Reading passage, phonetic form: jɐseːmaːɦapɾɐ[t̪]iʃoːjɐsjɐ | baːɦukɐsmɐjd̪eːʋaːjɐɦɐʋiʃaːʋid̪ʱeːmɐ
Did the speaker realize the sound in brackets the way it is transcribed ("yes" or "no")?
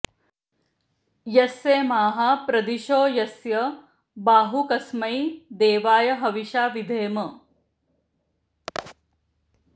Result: no